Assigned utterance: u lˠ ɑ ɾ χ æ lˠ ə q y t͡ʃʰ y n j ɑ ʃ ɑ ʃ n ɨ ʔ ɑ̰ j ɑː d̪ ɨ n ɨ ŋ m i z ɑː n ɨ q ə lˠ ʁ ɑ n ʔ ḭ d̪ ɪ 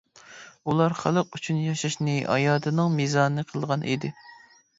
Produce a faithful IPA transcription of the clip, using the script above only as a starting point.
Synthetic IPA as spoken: u lˠ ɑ ɾ χ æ lˠ ə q y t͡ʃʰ y n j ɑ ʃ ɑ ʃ n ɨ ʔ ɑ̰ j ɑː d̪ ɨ n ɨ ŋ m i z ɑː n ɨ qʰ ə lˠ ʁ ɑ n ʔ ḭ d̪ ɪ